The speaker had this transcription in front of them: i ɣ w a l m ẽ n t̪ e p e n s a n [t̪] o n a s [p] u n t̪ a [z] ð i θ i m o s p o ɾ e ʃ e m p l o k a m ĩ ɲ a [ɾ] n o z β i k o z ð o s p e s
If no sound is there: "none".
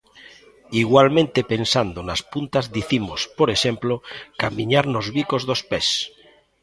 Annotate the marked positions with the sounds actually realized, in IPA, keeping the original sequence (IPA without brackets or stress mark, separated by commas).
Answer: d̪, p, z, ɾ